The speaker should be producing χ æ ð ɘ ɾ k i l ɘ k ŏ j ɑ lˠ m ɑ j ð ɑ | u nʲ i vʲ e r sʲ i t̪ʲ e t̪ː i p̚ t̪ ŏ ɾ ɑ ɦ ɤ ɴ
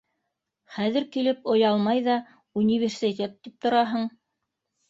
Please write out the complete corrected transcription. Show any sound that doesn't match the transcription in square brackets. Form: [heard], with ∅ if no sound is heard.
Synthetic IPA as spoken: χ æ ð ɘ ɾ k i l ɘ [p] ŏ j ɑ lˠ m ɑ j ð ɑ | u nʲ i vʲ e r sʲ i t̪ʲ e t̪ː i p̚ t̪ ŏ ɾ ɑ ɦ ɤ ɴ